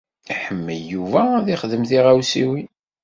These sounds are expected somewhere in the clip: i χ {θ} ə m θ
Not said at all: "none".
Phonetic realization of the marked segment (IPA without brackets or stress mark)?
ð